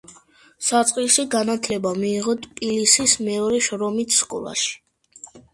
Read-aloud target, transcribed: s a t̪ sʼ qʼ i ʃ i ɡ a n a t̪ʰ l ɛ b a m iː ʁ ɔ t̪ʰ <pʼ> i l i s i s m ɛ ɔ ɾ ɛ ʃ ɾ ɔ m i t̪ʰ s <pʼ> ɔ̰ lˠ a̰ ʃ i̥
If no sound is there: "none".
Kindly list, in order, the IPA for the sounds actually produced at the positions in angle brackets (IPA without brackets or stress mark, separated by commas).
pʼ, kʼ